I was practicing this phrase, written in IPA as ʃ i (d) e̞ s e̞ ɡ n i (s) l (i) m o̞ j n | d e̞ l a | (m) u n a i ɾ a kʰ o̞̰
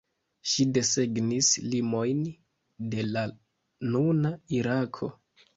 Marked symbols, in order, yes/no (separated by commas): yes, yes, yes, no